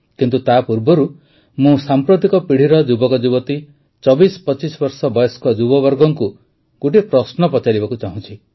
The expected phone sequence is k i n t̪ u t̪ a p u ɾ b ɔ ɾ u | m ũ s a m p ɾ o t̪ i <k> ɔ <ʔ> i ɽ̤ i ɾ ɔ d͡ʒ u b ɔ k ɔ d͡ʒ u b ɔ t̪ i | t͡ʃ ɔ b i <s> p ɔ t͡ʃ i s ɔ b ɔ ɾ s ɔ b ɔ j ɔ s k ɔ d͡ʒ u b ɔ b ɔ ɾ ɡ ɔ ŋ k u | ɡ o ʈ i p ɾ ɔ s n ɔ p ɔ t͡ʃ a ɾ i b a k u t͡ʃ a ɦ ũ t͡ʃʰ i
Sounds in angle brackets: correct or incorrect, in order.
correct, incorrect: p, correct

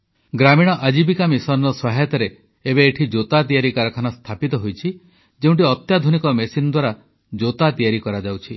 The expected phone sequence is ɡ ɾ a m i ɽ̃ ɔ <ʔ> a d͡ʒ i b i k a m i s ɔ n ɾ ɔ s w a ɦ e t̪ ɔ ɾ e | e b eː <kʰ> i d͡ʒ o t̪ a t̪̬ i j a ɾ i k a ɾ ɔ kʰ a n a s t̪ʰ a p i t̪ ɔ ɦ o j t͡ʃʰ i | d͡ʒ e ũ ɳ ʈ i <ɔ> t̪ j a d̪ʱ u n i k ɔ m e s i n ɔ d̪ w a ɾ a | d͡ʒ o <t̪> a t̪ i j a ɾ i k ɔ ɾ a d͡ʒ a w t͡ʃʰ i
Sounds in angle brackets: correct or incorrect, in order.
correct, incorrect: ʈʰ, correct, correct

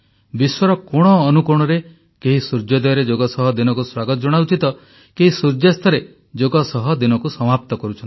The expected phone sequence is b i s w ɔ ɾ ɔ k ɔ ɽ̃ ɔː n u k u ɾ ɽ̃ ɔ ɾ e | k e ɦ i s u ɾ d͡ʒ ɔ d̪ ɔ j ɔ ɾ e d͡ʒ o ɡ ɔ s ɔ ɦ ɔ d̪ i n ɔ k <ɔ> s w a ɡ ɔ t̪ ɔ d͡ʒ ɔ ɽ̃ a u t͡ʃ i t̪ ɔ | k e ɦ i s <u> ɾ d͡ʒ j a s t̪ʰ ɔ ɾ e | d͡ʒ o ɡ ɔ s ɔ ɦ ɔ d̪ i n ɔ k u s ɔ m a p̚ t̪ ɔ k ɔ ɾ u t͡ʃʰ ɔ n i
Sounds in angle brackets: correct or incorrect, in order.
incorrect: u, correct

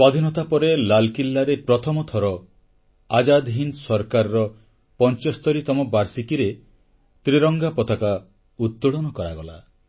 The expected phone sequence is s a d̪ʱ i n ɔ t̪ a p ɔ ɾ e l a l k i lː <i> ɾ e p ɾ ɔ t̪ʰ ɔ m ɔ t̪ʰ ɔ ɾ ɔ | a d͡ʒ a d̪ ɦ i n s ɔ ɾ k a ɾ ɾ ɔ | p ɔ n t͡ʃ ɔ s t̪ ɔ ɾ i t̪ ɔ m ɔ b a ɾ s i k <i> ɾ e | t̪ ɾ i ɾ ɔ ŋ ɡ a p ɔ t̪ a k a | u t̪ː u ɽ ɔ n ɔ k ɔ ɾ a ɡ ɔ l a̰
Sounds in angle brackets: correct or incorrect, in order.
incorrect: a, correct

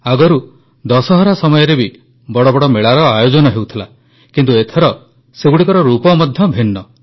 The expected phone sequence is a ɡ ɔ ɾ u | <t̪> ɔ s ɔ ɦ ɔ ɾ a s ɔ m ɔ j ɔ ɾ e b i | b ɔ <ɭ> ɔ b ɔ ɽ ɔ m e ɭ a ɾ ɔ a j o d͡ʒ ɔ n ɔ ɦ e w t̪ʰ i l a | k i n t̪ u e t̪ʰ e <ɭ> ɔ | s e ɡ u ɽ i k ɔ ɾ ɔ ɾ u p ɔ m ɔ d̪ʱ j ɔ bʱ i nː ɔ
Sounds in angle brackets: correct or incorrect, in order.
incorrect: d̪, incorrect: ɽ, incorrect: ɾ

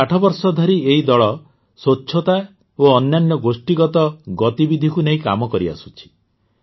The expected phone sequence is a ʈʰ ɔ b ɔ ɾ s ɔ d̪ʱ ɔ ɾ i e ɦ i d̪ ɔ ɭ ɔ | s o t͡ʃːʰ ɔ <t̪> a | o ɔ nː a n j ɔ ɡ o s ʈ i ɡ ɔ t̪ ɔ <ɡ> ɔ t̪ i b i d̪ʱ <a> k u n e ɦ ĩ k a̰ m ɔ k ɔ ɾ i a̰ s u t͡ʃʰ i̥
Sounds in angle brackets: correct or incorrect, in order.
correct, correct, incorrect: i

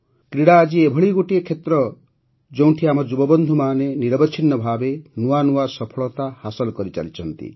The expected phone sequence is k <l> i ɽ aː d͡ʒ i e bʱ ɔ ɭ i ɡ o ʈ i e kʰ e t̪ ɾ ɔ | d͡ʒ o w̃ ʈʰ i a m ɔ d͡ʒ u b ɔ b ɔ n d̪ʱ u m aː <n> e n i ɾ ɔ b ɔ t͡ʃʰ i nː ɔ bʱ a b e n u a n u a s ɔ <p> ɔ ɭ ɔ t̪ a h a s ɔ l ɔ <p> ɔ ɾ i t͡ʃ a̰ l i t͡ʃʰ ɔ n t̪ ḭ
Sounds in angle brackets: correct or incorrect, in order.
incorrect: ɾ, correct, incorrect: pʰ, incorrect: k

